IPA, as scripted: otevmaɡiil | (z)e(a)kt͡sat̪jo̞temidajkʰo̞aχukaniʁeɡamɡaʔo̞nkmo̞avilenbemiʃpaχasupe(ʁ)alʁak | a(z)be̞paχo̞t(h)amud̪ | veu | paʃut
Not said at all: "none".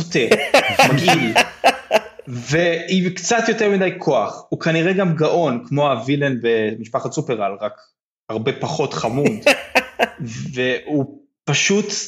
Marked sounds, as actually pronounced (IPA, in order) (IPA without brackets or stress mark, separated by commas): v, i, ʁ, ʁ, χ